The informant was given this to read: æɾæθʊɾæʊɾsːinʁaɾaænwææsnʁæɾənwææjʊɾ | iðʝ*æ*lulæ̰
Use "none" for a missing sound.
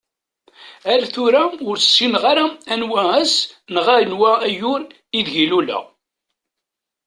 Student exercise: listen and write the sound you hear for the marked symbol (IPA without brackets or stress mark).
i